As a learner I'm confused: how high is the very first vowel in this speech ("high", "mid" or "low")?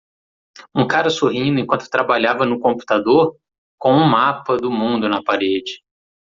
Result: high